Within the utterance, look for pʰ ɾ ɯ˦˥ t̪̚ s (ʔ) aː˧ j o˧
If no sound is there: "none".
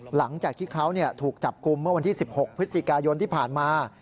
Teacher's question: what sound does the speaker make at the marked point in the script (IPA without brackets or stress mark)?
k